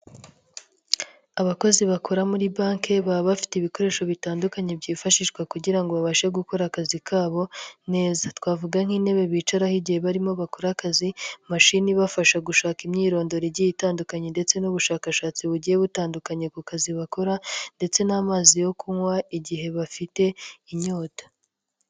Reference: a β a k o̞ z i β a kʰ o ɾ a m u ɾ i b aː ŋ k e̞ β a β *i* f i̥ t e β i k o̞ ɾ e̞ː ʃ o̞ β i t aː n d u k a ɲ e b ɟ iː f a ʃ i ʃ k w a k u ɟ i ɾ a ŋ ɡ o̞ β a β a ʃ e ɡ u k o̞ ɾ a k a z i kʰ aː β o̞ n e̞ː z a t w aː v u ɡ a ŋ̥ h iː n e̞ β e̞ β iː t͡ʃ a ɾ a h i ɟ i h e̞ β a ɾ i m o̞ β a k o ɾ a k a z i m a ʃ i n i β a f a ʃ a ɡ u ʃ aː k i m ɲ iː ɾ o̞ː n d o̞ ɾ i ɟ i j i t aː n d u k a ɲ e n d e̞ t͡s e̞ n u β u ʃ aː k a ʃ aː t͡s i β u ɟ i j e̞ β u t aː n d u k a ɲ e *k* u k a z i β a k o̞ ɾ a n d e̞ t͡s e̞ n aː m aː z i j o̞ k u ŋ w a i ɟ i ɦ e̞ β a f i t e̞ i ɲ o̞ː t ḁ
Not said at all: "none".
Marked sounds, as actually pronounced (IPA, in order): a, k

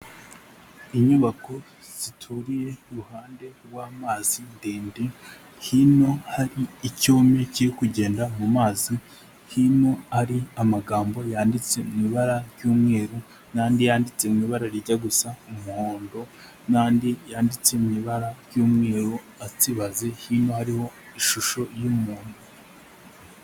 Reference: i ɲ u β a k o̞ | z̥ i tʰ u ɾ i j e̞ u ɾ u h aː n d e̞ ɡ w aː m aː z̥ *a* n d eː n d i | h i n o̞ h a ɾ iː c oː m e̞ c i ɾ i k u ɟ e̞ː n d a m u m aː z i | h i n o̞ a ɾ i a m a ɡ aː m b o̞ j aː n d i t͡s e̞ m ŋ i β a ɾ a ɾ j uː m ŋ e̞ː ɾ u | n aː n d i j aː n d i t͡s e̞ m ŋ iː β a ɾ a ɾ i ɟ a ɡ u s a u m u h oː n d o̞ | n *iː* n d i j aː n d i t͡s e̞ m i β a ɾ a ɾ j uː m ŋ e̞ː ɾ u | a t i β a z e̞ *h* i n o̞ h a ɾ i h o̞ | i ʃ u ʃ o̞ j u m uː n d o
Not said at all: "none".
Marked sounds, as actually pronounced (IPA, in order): i, aː, h

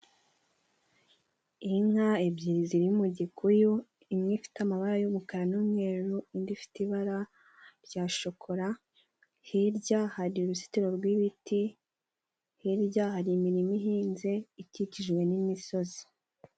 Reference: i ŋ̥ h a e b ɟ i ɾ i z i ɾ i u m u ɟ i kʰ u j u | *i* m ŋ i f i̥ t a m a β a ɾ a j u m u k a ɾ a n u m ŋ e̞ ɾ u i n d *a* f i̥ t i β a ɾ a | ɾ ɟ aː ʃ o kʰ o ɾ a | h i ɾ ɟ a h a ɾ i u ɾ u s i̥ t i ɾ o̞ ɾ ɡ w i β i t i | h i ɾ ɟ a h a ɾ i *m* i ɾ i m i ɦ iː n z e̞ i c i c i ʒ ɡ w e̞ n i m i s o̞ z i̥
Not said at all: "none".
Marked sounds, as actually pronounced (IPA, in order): i, i, m

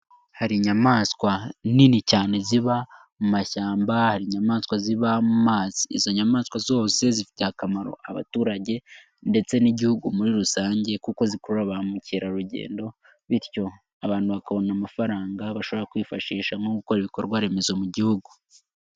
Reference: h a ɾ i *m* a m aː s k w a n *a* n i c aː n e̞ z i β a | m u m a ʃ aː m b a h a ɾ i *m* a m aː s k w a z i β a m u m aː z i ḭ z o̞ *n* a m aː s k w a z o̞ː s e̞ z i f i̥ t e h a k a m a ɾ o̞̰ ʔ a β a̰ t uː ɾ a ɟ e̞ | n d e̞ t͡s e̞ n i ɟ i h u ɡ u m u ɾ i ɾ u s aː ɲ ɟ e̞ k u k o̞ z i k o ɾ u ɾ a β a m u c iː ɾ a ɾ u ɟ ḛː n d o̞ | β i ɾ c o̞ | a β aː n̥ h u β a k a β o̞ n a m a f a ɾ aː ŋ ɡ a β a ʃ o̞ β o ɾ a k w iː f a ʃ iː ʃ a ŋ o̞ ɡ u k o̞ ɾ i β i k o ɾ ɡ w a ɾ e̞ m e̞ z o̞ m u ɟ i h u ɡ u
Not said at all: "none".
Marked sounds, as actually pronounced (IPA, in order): ɲ, i, ɲ, ɲ

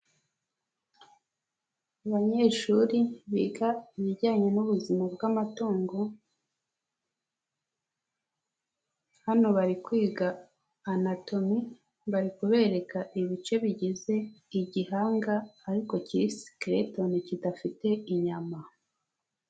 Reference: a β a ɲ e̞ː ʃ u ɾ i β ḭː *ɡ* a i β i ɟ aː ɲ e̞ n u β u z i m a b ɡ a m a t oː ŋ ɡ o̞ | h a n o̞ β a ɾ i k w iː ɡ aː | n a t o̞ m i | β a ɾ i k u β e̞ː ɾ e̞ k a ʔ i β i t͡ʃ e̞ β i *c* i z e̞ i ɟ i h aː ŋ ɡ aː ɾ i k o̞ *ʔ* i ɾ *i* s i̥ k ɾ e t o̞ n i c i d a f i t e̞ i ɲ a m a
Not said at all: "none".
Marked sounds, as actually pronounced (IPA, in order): ɡ, ɟ, c, i

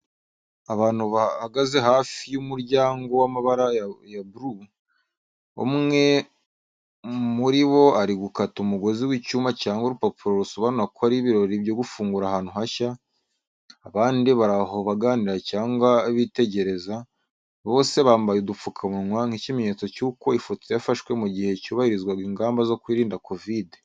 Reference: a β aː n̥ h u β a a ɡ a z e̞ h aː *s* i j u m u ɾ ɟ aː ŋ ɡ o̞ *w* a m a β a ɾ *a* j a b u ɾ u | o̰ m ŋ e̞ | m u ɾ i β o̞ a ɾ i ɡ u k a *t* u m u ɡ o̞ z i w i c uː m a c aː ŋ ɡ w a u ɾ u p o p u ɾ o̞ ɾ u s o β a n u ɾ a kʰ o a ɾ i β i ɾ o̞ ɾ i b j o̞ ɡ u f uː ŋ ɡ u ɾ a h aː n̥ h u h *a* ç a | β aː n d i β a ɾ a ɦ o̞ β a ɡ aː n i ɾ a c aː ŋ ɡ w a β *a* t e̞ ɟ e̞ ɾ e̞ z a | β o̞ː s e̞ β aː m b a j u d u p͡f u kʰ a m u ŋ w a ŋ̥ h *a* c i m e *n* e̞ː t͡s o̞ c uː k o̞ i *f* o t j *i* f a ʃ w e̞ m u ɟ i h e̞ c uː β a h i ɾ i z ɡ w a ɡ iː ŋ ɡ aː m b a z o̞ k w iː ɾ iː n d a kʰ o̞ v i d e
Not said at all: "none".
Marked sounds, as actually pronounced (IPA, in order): f, w, a, t, a, i, i, ɲ, f, a

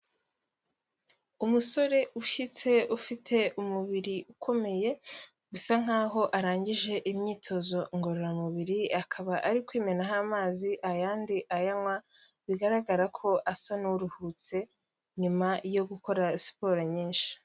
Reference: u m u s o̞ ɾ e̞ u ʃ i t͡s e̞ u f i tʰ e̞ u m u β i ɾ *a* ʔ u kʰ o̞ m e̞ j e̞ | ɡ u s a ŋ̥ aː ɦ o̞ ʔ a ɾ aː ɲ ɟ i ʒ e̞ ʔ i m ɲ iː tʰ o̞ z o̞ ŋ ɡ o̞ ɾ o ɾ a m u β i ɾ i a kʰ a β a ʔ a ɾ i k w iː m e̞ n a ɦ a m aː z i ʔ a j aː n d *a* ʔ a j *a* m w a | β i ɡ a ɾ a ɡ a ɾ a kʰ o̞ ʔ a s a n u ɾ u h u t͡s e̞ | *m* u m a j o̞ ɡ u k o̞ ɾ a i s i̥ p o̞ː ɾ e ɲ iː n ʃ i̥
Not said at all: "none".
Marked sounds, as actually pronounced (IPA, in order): i, i, a, ɲ

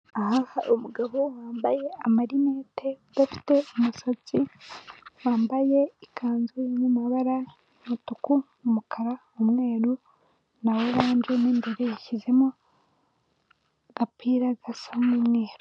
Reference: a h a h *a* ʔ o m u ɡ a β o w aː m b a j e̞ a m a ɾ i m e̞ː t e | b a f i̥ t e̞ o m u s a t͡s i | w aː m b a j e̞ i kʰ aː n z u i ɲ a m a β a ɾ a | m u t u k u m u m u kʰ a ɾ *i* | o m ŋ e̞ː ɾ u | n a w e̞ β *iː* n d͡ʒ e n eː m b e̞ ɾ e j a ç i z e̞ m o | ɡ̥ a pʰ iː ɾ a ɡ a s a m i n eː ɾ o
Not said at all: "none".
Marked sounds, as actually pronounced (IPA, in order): a, a, aː

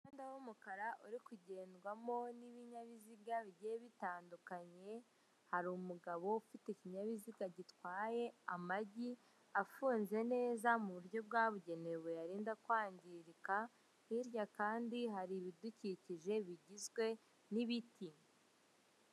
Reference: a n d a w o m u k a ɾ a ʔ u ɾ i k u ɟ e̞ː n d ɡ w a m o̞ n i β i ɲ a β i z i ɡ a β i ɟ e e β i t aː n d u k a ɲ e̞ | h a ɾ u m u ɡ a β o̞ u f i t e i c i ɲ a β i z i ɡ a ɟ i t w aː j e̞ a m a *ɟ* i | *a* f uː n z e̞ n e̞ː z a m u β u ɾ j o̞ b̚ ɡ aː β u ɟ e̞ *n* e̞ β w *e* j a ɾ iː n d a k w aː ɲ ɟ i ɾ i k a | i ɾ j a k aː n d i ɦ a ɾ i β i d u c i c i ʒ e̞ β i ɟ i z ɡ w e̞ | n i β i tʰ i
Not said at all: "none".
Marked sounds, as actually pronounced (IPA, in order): ɟ, a, n, e

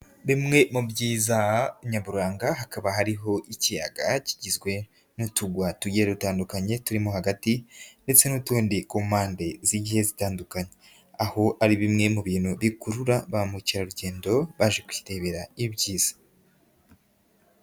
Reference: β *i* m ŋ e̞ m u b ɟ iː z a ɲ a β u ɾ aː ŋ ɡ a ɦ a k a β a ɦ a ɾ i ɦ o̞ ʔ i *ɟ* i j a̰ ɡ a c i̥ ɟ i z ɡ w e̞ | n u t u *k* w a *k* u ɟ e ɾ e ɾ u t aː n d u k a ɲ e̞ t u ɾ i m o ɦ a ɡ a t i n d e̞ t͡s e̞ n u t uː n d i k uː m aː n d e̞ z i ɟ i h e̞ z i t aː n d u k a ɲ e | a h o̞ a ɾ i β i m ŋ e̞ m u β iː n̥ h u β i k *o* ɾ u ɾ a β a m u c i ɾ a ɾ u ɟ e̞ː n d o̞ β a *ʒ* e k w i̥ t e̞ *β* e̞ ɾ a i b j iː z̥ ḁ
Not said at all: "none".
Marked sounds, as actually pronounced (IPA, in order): i, c, ɡ, t, u, ʒ, β

